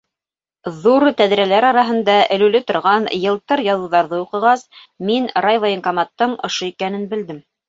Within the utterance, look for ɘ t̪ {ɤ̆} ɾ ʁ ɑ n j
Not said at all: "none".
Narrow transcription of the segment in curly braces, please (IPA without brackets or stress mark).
ŏ